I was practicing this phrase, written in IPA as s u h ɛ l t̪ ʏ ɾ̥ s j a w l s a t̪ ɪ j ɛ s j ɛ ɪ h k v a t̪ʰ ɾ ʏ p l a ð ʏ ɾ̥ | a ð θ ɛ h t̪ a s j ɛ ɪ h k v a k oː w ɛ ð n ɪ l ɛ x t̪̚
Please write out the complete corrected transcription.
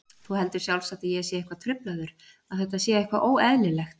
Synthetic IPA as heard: θ u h ɛ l t̪ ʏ ɾ̥ s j a w l s a t̪ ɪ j ɛ s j ɛ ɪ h k v a t̪ʰ ɾ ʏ p l a ð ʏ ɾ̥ | a ð θ ɛ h t̪ a s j ɛ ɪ h k v a ʔ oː w ɛ ð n ɪ l ɛ x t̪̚